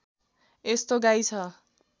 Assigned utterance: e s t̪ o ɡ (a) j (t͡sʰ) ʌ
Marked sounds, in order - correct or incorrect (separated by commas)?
correct, correct